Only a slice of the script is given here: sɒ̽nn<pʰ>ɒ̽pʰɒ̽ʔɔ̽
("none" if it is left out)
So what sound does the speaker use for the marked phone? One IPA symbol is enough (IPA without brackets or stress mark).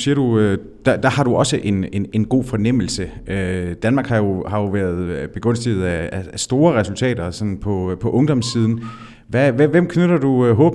pʰ